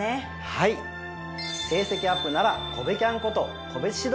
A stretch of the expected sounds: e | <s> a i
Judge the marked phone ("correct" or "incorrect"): incorrect